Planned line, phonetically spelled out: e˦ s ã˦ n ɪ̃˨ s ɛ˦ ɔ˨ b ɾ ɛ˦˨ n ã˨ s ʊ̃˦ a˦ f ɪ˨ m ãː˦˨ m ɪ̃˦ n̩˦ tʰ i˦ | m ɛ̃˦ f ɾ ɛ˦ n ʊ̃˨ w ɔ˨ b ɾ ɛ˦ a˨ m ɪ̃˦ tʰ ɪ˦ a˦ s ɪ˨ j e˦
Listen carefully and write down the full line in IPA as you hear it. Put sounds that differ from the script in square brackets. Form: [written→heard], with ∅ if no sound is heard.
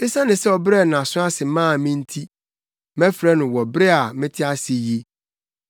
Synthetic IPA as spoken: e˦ s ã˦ n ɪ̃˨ s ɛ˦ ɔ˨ b ɾ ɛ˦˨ n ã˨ s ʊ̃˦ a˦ [f→s] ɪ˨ m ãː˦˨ m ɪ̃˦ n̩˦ tʰ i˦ | m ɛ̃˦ f ɾ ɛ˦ n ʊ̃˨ w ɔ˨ b ɾ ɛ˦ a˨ m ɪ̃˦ tʰ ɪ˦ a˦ s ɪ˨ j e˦